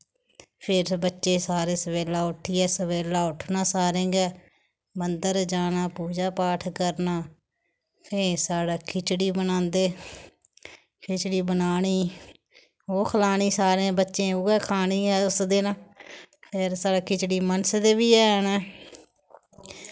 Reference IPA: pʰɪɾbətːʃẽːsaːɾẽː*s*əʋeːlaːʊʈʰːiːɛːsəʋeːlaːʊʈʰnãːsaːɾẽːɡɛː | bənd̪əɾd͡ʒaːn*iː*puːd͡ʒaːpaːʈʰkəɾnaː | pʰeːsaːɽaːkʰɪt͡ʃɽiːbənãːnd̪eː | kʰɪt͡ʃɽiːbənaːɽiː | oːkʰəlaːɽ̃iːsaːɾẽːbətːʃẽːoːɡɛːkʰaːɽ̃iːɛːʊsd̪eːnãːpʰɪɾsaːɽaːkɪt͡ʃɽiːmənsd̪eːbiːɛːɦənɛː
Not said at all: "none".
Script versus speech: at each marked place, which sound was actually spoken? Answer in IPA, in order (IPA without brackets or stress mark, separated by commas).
s, aː